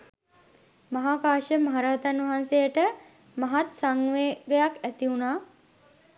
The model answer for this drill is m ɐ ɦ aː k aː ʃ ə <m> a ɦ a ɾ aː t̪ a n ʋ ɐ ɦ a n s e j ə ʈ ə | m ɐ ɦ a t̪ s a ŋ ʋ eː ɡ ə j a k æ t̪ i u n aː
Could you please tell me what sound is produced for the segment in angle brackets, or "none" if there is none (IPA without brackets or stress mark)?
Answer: m